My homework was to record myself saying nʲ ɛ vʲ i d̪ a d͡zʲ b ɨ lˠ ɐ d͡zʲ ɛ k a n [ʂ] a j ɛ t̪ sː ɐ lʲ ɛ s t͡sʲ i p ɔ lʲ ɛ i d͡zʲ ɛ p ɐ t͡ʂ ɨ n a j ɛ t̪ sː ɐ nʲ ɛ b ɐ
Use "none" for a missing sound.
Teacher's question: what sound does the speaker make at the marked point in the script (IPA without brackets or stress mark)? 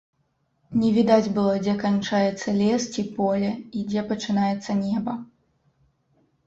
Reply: t͡ʂ